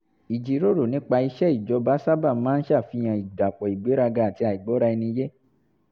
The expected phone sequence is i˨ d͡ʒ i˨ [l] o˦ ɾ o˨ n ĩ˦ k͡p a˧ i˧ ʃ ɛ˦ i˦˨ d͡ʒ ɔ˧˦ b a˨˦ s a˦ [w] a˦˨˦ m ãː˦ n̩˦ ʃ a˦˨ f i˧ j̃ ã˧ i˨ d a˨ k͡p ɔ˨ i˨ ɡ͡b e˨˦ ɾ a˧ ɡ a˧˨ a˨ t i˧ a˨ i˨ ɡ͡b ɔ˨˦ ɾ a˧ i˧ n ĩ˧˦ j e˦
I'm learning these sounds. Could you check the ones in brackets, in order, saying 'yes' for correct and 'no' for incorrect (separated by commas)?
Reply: no, no